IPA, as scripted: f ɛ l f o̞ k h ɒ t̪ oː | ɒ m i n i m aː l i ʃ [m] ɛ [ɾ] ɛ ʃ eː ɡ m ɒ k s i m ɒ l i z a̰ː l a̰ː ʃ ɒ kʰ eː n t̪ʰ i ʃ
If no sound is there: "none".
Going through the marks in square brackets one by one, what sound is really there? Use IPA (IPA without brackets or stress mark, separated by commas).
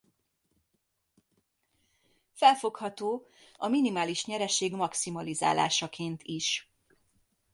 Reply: ɲ, ɾ